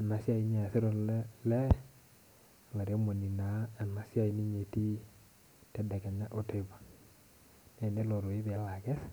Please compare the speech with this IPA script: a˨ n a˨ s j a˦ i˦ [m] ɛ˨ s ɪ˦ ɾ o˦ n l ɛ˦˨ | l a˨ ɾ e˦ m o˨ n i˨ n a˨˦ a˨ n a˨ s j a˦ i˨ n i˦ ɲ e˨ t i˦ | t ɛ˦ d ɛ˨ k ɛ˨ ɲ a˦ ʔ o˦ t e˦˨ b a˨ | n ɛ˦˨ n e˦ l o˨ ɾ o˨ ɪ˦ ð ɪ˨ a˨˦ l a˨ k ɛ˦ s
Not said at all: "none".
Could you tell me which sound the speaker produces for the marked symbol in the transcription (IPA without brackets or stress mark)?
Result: ɲ